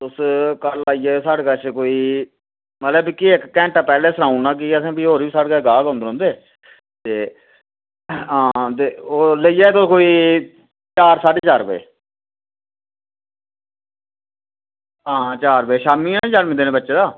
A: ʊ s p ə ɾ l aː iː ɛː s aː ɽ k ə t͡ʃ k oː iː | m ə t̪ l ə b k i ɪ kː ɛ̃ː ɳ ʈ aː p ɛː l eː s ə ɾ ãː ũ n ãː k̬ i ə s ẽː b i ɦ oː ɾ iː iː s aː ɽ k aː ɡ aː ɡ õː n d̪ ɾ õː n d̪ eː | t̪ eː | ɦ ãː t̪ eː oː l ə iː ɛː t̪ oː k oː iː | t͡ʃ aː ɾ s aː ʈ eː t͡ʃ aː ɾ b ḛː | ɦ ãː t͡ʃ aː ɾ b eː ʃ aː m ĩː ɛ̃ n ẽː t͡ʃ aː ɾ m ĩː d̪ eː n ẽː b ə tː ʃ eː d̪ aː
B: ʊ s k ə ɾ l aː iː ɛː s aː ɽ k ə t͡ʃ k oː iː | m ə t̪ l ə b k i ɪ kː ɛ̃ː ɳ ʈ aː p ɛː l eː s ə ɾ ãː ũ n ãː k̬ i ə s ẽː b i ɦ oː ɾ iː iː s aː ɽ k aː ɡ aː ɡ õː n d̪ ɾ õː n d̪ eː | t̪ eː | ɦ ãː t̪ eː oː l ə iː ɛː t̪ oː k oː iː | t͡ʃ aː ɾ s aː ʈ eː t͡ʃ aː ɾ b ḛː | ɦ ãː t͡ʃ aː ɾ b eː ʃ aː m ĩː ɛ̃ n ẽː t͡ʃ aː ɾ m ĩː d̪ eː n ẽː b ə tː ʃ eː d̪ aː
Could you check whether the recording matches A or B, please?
B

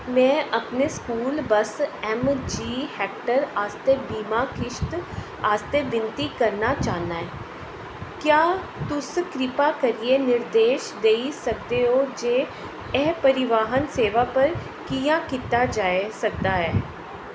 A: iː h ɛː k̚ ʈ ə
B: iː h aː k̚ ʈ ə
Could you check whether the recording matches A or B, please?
A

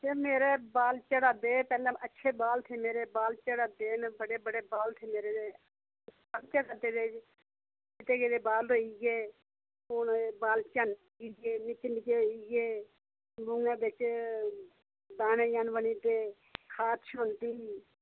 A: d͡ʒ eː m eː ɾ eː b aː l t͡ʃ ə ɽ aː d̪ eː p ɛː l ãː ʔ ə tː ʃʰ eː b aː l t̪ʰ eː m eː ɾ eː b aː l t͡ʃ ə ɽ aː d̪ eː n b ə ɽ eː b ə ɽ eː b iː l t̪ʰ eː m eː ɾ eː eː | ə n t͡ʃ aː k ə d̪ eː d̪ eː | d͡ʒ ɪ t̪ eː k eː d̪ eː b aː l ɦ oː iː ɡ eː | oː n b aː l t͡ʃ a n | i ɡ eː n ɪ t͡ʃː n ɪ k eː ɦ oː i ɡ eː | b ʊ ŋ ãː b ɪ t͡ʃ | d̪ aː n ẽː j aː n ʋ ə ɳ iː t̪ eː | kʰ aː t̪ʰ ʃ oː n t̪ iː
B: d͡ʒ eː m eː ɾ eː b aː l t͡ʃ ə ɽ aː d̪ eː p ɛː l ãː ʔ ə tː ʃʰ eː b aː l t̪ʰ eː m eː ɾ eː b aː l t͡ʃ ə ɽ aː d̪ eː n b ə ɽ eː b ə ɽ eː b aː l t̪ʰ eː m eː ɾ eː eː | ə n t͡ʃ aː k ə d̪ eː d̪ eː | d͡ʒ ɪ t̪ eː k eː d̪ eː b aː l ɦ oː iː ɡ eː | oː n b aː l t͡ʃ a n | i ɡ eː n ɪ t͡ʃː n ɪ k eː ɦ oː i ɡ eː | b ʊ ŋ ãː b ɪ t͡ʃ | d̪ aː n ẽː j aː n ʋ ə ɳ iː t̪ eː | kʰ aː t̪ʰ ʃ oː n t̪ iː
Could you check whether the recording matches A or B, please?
B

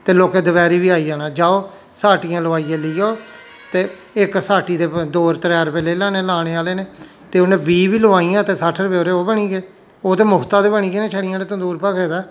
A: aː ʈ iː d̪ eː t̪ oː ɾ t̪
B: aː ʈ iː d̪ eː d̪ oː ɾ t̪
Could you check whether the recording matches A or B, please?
B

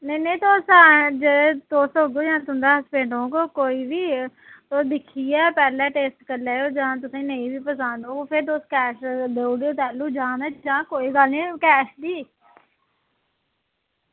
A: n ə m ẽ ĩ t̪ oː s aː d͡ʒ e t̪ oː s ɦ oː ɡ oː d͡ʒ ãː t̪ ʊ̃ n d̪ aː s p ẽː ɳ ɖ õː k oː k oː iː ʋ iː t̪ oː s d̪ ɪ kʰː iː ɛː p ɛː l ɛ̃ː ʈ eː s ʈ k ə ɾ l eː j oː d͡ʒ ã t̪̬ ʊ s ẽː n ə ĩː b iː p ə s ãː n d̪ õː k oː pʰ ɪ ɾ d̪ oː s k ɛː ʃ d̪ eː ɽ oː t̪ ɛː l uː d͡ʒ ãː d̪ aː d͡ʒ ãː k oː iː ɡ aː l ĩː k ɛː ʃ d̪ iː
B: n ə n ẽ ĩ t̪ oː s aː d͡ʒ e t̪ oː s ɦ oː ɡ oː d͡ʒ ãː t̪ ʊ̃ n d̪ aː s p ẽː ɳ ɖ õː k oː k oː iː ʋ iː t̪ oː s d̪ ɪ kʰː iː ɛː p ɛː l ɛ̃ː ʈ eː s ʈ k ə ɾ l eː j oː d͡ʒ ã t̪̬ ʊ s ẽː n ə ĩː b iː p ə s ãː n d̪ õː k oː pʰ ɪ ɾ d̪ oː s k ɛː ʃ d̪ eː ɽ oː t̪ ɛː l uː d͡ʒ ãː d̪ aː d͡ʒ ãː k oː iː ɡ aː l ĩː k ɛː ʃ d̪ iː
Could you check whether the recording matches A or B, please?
B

